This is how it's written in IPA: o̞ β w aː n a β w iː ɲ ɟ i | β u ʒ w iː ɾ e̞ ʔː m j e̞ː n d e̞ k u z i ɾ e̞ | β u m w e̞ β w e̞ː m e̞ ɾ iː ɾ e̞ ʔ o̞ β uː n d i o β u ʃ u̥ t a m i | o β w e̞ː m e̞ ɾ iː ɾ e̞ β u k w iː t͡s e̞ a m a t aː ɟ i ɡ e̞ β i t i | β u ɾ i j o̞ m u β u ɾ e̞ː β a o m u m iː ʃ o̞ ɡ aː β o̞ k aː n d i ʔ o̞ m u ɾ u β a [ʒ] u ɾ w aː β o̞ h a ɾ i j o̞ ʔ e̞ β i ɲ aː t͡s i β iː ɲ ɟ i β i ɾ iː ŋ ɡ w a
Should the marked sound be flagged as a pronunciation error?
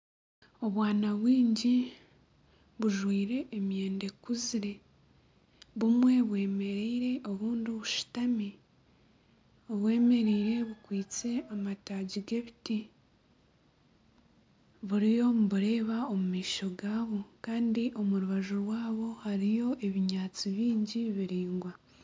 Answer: no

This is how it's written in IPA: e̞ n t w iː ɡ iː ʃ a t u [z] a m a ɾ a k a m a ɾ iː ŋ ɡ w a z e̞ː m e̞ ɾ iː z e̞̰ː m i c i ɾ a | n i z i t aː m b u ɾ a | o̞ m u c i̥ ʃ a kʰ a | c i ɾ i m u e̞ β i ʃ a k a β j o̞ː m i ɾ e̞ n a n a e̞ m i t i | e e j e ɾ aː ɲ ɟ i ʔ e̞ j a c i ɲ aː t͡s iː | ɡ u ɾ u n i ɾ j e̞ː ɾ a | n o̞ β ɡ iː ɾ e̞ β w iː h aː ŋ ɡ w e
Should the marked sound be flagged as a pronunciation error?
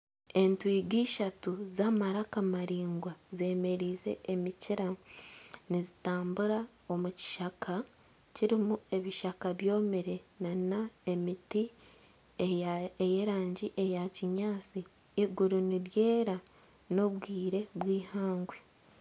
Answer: no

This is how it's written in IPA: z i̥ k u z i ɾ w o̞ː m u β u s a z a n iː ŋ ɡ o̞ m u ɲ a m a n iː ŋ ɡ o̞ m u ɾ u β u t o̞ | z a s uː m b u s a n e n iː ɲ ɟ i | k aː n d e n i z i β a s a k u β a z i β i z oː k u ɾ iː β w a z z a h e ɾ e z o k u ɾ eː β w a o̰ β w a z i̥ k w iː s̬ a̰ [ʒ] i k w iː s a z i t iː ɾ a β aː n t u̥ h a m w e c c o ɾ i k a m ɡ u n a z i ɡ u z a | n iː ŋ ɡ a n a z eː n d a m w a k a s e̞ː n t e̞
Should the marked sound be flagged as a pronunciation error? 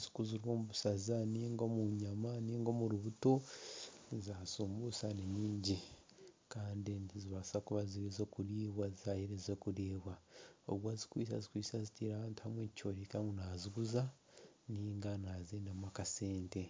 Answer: yes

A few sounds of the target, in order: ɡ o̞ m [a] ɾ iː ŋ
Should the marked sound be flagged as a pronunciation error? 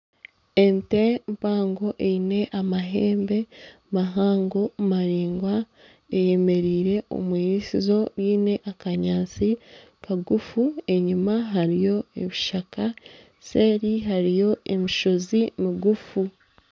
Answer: no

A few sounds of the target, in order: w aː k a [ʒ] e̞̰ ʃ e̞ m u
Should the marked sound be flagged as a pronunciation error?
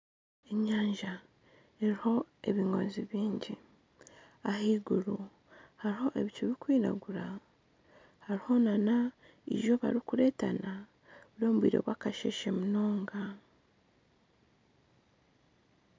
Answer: yes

